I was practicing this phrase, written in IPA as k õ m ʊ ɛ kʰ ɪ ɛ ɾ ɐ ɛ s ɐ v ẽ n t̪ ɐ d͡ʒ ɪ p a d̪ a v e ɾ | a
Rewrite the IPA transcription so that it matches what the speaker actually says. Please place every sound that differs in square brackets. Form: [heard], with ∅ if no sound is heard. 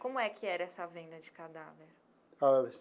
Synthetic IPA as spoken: k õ m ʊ ɛ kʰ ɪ ɛ ɾ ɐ ɛ s ɐ v ẽ n [d̪] ɐ d͡ʒ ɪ [k] a d̪ a v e ɾ | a